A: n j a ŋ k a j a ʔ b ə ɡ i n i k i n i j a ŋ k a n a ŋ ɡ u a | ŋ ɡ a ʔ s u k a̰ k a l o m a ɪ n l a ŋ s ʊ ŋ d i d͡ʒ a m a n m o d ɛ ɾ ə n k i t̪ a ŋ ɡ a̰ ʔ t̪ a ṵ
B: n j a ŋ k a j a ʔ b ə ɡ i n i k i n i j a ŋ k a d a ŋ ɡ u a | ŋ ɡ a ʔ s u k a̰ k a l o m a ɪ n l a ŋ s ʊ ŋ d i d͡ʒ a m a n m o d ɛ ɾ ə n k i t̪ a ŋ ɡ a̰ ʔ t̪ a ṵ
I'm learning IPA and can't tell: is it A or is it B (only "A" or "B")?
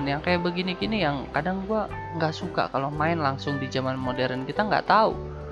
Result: B